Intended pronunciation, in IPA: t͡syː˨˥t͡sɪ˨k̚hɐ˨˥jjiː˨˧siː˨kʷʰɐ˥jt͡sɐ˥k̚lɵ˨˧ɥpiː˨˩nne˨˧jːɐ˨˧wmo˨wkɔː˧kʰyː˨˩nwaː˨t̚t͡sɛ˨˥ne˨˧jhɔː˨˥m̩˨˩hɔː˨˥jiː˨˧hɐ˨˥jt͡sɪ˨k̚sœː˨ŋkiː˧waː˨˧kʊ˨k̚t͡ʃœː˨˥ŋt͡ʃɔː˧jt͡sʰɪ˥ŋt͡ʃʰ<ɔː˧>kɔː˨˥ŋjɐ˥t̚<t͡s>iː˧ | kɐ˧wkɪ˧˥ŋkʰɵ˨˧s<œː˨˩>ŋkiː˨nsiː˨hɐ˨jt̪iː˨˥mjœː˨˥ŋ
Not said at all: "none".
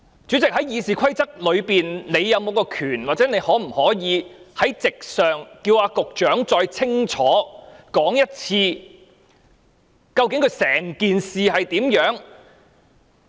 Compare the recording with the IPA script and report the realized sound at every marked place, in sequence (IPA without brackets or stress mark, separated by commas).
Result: ɔː˨˥, t͡sʰ, ɛː˨˩